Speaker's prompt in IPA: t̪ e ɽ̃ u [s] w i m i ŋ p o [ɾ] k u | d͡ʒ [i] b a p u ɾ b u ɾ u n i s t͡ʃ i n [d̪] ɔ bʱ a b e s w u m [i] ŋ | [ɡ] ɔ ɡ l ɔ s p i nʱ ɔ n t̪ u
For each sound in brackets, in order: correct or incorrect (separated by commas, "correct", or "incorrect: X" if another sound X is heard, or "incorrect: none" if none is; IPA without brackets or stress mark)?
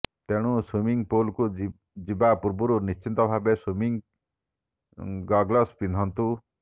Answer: correct, incorrect: l, correct, incorrect: t̪, correct, correct